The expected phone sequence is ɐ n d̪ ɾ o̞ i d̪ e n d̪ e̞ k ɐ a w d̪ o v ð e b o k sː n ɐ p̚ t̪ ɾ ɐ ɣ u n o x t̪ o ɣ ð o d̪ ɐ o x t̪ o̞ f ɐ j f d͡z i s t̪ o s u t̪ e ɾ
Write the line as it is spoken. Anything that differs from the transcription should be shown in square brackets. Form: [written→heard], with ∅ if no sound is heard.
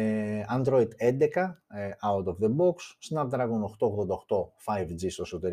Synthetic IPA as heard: ɐ n d̪ ɾ o̞ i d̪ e n d̪ e̞ k ɐ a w [d̪→t̪] o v ð e b o k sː n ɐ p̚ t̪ ɾ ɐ ɣ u n o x t̪ o ɣ ð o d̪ ɐ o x t̪ o̞ f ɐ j [f→v] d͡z i s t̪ o s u t̪ e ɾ